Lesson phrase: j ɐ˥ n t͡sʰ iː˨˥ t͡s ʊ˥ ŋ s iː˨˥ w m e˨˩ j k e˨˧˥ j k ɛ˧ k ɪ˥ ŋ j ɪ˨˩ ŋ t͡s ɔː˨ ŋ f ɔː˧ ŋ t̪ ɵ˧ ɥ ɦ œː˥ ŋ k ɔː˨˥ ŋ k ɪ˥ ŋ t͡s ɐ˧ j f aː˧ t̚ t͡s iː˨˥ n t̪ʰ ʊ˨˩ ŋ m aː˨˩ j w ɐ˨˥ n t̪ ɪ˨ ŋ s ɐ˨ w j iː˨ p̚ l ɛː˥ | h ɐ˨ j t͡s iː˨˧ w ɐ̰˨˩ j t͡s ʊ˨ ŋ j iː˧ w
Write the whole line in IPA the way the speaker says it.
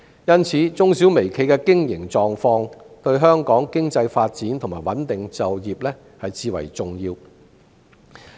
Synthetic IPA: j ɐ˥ n t͡sʰ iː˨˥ t͡s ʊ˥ ŋ s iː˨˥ w m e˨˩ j kʰ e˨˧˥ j k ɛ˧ k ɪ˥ ŋ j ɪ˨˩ ŋ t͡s ɔː˨ ŋ f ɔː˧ ŋ t̪ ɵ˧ ɥ ɦ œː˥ ŋ k ɔː˨˥ ŋ k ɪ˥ ŋ t͡s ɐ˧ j f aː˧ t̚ t͡s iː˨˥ n t̪ʰ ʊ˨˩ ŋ m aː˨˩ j w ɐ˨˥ n t̪ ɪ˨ ŋ t͡s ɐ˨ w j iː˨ p̚ l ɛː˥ | h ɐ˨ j t͡s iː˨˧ w ɐ̰˨˩ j t͡s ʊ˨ ŋ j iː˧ w